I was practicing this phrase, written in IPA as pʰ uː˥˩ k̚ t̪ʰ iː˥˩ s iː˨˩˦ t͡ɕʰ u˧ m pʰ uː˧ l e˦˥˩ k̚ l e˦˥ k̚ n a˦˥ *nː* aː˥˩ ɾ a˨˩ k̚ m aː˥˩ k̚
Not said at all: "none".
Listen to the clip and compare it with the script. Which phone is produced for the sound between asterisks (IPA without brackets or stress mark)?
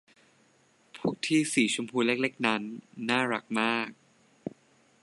nː